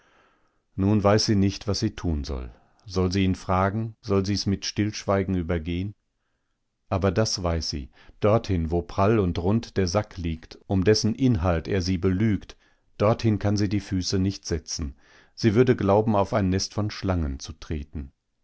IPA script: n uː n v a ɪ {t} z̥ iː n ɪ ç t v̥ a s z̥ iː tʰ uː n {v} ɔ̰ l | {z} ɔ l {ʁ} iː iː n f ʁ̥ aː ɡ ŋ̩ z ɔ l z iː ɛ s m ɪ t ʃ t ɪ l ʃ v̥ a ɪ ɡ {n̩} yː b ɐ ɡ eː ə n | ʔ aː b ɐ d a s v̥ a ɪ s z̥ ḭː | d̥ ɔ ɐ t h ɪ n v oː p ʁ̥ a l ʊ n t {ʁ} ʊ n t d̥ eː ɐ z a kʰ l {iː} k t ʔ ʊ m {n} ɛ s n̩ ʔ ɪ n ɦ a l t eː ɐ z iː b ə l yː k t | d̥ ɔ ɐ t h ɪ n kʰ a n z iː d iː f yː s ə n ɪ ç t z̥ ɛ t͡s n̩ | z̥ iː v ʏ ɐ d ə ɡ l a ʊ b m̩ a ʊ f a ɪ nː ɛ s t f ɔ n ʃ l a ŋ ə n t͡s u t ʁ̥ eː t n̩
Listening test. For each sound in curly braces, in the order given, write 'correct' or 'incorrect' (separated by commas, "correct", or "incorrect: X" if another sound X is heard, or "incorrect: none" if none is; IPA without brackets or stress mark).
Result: incorrect: s, incorrect: z, correct, incorrect: z, incorrect: ŋ̩, correct, correct, incorrect: d